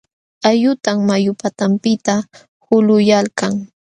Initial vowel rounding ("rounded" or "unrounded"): unrounded